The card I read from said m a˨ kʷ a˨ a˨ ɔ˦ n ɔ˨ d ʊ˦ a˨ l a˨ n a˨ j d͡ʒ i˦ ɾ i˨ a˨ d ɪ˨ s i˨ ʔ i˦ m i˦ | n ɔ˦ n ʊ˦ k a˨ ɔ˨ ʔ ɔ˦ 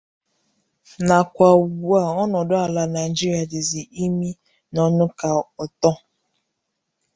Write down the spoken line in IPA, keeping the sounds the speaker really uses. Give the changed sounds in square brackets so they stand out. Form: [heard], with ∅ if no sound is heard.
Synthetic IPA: [n] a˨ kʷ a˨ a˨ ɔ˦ n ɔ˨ d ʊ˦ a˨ l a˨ n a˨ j d͡ʒ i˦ ɾ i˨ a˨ d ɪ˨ [z] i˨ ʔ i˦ m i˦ | n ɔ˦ n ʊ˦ k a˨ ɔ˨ [t] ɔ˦